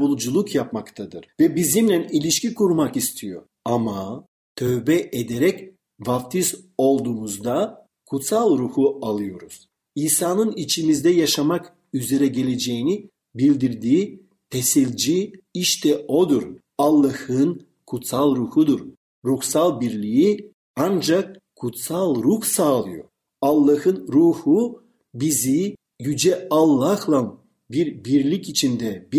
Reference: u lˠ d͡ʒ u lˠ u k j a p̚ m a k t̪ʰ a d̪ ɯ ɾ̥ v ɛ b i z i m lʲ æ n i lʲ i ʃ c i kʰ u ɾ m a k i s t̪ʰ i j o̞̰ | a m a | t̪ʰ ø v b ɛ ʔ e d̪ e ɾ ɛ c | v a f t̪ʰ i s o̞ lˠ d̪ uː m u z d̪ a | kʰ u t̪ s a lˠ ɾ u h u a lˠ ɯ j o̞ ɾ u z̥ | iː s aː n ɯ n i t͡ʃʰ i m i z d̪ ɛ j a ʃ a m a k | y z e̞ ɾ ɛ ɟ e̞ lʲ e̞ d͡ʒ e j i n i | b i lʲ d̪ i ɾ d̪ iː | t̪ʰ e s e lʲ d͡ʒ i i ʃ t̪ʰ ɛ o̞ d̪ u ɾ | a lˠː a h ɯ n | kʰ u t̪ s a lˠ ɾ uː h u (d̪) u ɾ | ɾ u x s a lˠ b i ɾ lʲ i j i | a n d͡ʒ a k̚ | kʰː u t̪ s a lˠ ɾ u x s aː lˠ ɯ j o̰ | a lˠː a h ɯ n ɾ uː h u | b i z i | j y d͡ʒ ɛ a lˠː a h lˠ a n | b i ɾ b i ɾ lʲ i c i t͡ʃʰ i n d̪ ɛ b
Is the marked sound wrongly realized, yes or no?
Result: no